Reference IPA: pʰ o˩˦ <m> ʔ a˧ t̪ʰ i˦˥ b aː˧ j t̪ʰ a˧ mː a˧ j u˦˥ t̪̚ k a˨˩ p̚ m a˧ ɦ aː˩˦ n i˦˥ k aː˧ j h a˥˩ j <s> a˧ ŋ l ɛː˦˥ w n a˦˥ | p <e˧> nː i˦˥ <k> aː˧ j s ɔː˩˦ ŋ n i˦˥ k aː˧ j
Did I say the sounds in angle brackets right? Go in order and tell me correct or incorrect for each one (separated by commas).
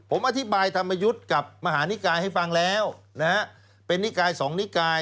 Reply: correct, incorrect, correct, correct